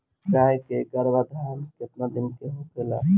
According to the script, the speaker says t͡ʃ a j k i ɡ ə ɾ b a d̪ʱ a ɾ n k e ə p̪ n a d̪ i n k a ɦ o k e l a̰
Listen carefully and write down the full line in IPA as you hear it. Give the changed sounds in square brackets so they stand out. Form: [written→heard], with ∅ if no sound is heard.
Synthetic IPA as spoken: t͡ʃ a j k [i→e] ɡ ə ɾ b a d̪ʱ a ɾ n k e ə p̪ n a d̪ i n k [a→e] ɦ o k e l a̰